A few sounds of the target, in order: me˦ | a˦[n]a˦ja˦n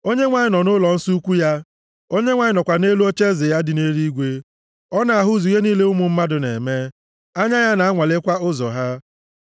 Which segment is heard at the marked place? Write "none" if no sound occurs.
ɲ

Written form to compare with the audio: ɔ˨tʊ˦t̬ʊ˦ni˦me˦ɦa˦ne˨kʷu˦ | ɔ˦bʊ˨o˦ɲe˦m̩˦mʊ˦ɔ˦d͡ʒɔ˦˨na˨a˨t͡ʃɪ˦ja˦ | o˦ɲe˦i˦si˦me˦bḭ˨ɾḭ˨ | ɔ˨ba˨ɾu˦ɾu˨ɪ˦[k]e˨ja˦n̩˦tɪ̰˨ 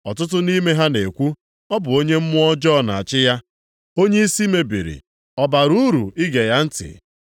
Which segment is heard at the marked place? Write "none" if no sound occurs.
ɡ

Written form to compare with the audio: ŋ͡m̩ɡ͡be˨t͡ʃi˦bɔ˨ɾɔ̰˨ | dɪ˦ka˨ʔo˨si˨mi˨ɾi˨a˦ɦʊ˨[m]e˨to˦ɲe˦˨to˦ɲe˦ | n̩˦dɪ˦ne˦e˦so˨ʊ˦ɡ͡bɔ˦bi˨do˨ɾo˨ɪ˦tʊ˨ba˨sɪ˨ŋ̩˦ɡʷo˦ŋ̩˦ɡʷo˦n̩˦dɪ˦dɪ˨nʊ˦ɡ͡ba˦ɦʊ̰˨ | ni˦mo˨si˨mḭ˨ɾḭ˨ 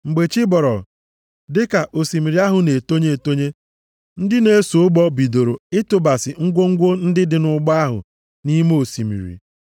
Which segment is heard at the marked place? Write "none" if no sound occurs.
n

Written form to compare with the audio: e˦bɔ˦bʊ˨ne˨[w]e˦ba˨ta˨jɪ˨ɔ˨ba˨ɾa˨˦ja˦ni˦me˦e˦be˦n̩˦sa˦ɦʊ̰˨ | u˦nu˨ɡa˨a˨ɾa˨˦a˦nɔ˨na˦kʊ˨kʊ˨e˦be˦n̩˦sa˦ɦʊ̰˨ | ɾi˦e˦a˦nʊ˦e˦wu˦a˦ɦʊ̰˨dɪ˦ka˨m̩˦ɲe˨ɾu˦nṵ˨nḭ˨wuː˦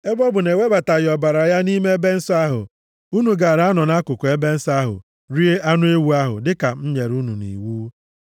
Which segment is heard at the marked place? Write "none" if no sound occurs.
w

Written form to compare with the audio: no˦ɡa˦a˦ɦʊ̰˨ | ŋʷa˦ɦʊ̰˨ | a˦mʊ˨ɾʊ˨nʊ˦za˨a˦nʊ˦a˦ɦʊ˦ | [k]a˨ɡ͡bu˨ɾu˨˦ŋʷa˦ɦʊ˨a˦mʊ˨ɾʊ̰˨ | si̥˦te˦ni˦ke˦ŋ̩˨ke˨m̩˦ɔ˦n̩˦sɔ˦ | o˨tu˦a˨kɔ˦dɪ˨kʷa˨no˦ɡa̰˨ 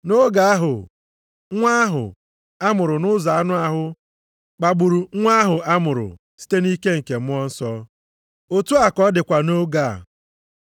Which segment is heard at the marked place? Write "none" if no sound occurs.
k͡p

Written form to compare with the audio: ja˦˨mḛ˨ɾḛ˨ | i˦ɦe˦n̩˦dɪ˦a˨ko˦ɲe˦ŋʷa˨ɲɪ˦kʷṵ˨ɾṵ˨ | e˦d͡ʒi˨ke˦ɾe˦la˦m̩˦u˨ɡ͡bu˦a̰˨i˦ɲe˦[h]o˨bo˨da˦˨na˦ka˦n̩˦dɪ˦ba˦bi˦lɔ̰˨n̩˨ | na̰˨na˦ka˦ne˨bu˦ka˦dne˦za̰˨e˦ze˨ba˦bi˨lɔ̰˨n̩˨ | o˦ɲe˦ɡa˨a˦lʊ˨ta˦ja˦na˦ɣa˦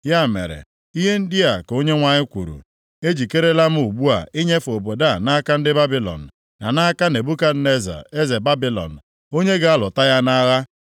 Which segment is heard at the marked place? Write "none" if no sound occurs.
f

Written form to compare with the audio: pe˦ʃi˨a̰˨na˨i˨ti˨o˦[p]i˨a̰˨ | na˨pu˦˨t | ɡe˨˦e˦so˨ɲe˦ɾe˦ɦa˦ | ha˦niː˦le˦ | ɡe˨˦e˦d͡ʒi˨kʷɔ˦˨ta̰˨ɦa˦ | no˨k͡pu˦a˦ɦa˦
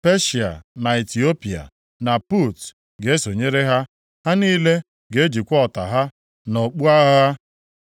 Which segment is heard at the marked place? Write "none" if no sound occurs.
p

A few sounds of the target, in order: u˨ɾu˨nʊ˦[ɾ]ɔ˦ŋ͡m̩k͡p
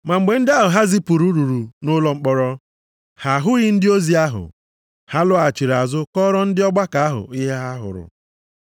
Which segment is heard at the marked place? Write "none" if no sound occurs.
l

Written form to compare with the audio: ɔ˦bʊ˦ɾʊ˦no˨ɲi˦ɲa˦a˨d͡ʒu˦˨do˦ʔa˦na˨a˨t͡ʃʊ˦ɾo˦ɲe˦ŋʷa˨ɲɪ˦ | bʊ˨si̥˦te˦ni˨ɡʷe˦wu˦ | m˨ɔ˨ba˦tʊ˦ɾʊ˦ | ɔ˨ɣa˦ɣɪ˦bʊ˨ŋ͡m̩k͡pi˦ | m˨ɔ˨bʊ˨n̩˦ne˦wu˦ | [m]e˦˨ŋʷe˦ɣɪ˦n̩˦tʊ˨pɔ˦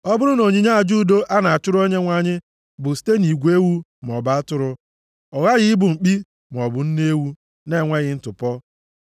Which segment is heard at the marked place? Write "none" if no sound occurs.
n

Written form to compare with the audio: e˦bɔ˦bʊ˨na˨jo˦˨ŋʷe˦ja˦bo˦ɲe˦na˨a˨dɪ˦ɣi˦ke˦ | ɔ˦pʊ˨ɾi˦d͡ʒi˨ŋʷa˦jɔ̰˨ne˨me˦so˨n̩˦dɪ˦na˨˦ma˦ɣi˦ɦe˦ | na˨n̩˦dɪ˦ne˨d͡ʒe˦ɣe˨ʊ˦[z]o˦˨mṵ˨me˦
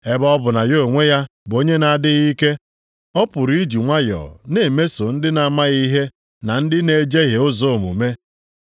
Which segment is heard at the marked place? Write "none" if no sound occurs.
z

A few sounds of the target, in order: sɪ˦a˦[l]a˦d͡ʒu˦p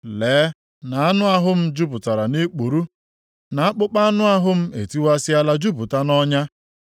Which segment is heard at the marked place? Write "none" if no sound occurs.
l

